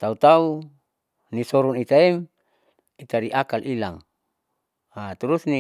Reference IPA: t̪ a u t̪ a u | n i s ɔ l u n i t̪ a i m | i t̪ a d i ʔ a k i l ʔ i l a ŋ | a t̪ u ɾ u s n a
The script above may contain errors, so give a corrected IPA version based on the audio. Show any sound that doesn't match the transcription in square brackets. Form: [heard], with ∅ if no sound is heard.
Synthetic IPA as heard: t̪ a u t̪ a u | n i s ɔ [ɾ] u n i t̪ a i m | i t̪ a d i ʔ a k [a] l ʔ i l a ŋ | a t̪ u ɾ u s n [i]